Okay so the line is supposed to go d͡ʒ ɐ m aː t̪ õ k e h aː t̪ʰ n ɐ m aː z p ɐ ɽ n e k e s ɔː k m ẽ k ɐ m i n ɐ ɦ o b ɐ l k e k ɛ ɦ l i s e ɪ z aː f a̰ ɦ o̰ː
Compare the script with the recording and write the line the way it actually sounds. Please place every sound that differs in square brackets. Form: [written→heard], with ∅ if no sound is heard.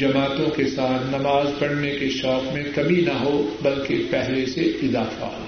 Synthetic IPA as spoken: d͡ʒ ɐ m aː t̪ õ k e [h→s] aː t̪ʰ n ɐ m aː z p ɐ ɽ n e k e [s→ʃ] ɔː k m ẽ k ɐ m i n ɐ ɦ o b ɐ l k e [k→p] ɛ ɦ l [i→e] s e ɪ z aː f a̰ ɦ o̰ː